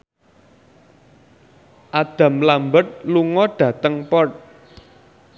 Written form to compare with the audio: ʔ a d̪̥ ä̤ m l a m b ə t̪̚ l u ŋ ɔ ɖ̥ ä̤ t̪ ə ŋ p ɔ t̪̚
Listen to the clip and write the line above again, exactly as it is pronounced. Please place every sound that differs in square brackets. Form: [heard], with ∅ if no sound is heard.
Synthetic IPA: ʔ a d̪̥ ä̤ m l a m b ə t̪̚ l u ŋ ɔ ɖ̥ ä̤ t̪ ə ŋ p ɔ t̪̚